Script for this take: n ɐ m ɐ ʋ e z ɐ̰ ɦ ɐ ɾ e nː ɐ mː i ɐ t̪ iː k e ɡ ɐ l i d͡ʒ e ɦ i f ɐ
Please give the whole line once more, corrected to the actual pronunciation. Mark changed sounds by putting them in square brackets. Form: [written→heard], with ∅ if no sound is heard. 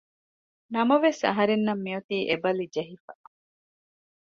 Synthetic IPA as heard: n ɐ m ɐ ʋ e [z→s] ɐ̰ ɦ ɐ ɾ e nː ɐ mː i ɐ t̪ iː [k→ʔ] e [ɡ→b] ɐ l i d͡ʒ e ɦ i f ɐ